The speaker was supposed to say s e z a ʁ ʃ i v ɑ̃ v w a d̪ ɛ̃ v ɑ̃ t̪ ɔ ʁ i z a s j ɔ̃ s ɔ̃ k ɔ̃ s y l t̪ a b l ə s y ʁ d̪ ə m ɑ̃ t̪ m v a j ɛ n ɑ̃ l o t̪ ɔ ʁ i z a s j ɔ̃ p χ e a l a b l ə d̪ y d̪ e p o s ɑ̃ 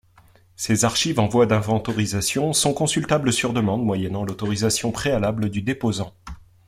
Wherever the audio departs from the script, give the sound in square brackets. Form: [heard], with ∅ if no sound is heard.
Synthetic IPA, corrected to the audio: s e z a ʁ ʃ i v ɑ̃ v w a d̪ ɛ̃ v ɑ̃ t̪ ɔ ʁ i z a s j ɔ̃ s ɔ̃ k ɔ̃ s y l t̪ a b l ə s y ʁ d̪ ə m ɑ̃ [d̪] m [w] a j ɛ n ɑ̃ l o t̪ ɔ ʁ i z a s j ɔ̃ p χ e a l a b l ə d̪ y d̪ e p o [z] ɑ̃